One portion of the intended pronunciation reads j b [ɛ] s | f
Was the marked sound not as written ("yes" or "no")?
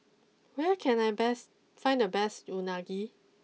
no